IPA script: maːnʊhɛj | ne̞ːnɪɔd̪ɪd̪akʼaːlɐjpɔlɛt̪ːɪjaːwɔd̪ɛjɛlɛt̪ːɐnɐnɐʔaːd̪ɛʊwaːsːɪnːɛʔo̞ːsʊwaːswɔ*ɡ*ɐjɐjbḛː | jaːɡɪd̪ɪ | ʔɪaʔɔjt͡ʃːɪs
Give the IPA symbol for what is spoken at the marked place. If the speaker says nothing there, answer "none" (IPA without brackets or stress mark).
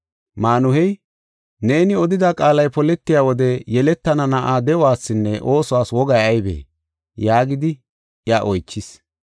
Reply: ɡ